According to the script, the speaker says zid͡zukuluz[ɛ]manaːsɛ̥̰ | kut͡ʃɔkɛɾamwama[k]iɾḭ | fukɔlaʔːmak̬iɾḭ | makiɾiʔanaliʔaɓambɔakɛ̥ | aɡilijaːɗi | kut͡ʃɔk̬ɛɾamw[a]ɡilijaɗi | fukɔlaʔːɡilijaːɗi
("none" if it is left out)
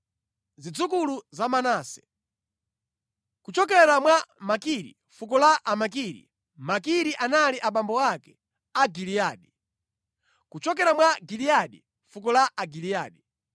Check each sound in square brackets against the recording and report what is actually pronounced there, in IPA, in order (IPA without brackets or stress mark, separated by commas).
a, k, a